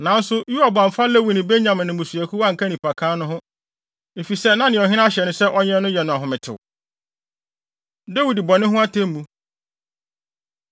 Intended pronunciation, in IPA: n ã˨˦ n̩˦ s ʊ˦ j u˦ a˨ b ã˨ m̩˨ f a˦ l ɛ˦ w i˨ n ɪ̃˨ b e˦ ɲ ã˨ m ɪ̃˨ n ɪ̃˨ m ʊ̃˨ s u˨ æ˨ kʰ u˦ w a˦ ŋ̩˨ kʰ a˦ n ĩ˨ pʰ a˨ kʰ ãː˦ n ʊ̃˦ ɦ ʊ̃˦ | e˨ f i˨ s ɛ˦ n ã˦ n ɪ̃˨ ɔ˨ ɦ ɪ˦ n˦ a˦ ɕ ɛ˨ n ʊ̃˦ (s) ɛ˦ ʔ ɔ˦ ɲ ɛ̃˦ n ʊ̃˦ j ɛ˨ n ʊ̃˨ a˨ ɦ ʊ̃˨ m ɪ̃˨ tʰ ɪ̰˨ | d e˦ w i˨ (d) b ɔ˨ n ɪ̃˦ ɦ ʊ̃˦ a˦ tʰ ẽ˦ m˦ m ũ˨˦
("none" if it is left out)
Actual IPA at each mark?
s, d

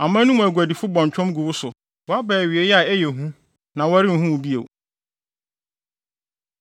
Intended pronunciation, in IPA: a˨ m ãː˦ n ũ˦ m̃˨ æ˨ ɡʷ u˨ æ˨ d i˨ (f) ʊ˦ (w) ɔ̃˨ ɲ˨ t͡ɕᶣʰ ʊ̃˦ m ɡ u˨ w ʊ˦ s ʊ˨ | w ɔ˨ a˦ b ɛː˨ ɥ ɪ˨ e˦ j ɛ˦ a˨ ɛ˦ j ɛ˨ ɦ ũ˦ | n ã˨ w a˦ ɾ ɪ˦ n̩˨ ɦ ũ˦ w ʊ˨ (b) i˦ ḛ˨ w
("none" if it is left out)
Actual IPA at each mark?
f, b, b

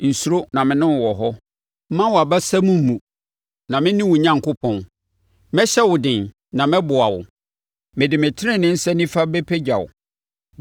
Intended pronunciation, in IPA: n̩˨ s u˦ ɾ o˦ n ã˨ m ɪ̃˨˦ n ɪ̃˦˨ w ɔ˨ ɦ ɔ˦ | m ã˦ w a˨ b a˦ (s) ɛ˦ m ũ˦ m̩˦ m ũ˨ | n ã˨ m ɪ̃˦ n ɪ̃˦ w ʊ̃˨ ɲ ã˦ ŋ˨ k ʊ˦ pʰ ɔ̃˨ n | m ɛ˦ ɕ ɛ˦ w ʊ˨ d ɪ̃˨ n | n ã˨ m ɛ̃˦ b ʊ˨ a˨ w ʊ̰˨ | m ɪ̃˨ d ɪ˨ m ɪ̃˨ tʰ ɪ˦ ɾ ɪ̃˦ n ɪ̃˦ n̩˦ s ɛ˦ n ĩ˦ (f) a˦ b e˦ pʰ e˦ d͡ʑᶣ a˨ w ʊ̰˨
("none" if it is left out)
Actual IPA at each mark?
s, f

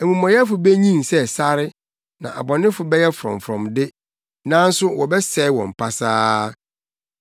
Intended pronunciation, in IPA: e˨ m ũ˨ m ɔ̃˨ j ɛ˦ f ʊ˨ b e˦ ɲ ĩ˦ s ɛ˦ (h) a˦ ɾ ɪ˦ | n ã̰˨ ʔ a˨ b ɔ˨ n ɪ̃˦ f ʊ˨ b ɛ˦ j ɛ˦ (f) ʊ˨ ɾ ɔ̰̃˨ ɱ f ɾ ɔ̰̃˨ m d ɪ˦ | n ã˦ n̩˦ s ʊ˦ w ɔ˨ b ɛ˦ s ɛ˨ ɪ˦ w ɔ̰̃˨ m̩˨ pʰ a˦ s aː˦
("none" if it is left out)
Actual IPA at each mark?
s, f

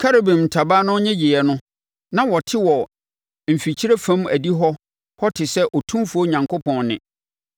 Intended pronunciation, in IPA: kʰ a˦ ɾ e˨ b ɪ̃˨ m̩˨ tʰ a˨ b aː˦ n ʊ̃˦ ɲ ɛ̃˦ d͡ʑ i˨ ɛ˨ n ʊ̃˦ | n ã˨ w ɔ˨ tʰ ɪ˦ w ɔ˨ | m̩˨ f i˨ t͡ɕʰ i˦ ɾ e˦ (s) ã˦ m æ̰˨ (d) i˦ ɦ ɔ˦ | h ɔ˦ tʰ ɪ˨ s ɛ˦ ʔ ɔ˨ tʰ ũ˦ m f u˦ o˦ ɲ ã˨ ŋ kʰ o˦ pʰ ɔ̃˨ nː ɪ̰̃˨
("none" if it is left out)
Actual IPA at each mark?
f, d

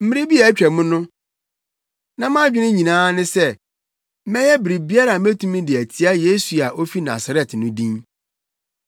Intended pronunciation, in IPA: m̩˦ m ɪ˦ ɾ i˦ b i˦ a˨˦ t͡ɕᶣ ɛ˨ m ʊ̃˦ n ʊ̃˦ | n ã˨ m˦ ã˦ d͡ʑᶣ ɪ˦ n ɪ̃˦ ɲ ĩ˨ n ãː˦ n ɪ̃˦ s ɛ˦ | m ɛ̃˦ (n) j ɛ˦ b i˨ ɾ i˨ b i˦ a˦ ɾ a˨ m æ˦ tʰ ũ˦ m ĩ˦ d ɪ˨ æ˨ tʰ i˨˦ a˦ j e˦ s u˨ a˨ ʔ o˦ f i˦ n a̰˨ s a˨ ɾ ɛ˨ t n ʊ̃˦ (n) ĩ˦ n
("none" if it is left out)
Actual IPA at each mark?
none, d

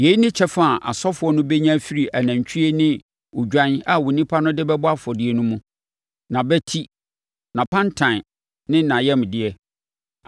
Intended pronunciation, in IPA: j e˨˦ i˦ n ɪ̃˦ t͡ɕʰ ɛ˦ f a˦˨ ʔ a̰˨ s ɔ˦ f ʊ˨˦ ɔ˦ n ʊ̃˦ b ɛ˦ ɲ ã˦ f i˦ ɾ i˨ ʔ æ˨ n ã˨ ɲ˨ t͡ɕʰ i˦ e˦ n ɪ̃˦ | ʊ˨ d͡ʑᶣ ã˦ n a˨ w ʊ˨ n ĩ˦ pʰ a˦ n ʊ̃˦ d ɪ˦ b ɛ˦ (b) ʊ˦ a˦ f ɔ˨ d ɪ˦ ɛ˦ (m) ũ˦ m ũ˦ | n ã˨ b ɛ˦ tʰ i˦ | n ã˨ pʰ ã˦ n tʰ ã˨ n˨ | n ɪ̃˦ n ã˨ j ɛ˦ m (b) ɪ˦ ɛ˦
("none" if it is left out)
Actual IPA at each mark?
b, n, d

